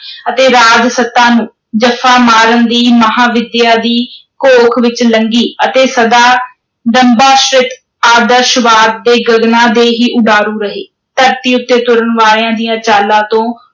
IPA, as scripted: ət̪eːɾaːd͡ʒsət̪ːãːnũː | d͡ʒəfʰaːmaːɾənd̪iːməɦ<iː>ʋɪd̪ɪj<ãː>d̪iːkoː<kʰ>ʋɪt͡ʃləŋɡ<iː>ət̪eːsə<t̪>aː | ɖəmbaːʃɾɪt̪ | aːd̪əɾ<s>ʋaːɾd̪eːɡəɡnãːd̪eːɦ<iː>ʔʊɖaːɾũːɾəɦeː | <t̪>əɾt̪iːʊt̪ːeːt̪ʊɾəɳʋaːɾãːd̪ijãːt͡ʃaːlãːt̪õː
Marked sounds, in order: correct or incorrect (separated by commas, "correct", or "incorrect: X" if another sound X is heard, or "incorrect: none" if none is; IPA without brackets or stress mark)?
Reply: incorrect: aː, incorrect: aː, correct, correct, incorrect: d̪, incorrect: ʃ, correct, correct